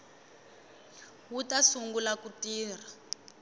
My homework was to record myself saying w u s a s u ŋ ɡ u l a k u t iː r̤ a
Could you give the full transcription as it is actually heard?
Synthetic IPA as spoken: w u t a s u ŋ ɡ u l a k u t iː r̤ a